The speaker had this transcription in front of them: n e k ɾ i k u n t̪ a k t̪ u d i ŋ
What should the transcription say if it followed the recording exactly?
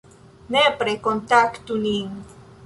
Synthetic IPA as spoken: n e p ɾ e k o n t̪ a k t̪ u n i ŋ